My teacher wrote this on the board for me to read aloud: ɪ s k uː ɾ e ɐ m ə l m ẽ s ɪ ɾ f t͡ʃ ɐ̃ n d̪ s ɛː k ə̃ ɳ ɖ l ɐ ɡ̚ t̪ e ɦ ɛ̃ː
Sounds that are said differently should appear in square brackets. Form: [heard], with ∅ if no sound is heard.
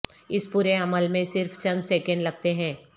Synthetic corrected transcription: ɪ s [p] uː ɾ e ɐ m ə l m ẽ s ɪ ɾ f t͡ʃ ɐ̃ n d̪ s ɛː k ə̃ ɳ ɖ l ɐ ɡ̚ t̪ e ɦ ɛ̃ː